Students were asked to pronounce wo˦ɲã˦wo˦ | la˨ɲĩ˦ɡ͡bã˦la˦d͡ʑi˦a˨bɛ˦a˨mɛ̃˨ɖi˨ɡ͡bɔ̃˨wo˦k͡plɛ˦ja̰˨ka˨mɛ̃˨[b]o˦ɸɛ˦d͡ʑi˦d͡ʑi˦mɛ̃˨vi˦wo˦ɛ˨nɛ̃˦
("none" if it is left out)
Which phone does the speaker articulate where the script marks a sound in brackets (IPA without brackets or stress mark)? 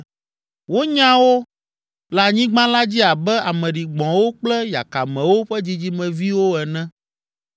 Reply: w